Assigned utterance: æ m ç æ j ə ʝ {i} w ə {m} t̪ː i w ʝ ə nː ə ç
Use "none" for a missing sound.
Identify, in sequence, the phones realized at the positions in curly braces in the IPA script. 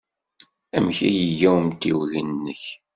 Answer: æ, m

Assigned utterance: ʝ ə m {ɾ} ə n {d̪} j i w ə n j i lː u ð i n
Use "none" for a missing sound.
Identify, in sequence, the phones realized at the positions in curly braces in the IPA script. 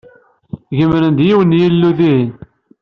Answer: ɾ, d̪

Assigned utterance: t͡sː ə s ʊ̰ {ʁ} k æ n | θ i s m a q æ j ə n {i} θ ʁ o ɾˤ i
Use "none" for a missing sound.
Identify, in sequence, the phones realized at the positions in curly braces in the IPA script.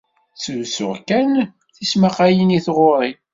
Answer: ʁ, i

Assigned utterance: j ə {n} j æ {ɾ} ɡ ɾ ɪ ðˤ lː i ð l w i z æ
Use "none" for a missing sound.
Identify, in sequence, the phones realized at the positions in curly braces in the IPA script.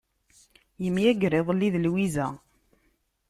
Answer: m, none

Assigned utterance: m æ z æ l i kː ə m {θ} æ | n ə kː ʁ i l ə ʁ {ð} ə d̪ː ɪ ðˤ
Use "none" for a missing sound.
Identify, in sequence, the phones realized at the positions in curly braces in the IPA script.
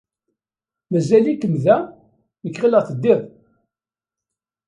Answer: ð, θ

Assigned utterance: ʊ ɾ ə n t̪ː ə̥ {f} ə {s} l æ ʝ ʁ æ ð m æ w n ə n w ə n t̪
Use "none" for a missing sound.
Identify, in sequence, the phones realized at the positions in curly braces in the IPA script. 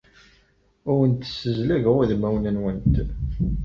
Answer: s, z

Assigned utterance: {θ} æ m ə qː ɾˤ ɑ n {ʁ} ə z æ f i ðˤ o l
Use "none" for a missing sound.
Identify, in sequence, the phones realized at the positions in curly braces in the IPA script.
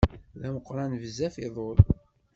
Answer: ð, v

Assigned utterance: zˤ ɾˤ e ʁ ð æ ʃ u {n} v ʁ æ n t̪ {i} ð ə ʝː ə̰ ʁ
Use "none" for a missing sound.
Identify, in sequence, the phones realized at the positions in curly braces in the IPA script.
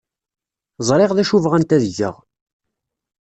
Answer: none, æ

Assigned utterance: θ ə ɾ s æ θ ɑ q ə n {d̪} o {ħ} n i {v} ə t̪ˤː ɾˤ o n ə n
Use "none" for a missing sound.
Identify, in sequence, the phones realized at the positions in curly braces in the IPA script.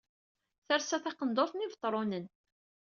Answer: d̪, θ, v

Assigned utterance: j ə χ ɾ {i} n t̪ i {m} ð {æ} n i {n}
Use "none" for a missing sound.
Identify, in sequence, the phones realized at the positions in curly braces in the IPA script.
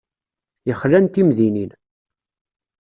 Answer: æ, m, i, n

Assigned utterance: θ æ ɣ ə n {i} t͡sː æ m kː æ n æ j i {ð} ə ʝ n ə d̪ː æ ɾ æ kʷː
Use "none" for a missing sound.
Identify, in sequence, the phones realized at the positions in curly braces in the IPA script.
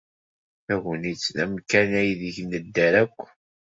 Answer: i, ð

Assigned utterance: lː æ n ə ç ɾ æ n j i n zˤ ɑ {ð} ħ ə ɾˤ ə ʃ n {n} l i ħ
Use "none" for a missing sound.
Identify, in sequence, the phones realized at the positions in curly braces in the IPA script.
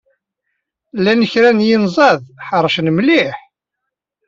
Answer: ð, m

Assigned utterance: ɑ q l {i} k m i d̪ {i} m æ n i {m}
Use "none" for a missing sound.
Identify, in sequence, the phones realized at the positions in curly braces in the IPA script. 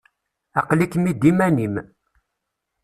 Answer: i, i, m

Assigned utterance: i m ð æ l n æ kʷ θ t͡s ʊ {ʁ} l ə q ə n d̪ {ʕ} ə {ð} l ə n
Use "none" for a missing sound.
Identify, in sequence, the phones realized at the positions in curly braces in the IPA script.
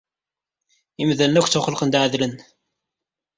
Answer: χ, ʕ, ð

